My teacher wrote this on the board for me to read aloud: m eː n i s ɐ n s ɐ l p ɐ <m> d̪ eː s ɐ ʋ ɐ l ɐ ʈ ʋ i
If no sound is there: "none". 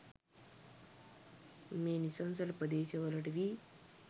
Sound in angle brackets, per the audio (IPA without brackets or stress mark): none